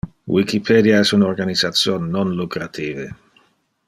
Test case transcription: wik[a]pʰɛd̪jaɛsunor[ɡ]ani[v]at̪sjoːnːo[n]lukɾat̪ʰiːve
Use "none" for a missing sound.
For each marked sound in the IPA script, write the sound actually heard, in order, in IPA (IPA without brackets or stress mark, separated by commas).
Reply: i, ɡ, z, n